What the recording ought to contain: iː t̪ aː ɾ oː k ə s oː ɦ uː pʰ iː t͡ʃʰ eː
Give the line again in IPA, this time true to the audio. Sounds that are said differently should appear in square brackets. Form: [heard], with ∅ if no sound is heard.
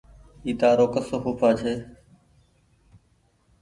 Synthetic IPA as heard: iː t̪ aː ɾ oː k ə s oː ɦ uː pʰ [aː] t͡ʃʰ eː

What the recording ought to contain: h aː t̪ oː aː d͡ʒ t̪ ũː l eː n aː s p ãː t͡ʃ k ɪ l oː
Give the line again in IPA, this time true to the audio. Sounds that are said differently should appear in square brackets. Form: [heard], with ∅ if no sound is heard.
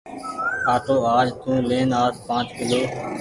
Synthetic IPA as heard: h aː t̪ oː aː d͡ʒ t̪ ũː l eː n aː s p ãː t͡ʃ k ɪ l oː

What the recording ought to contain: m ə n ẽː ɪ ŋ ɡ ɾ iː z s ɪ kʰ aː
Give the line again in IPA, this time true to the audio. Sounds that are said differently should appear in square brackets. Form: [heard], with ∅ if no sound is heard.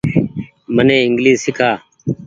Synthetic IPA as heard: m ə n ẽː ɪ ŋ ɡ [l] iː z s ɪ kʰ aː

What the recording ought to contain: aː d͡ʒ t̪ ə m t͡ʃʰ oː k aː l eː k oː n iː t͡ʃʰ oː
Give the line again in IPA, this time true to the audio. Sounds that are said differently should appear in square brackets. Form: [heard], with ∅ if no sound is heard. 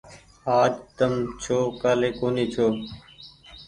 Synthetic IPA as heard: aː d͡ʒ t̪ ə m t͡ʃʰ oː k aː l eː k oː n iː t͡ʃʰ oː

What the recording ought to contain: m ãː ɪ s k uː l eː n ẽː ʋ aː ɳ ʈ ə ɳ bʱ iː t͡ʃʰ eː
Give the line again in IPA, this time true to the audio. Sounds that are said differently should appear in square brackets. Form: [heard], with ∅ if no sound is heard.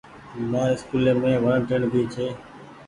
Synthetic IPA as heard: m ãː ɪ s k uː l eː [m] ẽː ʋ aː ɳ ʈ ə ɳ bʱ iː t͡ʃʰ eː

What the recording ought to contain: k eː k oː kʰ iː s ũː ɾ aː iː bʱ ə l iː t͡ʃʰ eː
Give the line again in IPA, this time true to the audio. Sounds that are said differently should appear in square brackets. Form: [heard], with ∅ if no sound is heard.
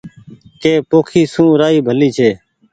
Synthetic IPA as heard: k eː [p] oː kʰ iː s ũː ɾ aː iː bʱ ə l iː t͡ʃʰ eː

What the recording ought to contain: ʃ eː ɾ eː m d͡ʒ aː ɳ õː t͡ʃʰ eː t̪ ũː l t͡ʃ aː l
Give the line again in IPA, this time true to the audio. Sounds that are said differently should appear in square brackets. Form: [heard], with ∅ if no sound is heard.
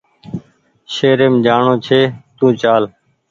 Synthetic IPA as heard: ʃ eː ɾ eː m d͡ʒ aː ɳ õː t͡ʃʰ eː t̪ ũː [∅] t͡ʃ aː l

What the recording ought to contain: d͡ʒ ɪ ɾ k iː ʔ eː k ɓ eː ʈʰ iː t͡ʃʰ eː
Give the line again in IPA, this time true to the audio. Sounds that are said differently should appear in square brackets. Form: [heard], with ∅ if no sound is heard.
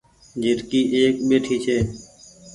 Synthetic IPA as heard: d͡ʒ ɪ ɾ k iː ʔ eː k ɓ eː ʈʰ iː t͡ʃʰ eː

